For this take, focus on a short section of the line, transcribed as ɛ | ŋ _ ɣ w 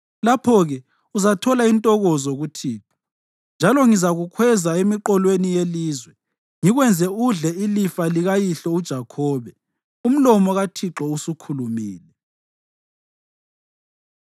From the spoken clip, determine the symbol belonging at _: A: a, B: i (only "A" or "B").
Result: B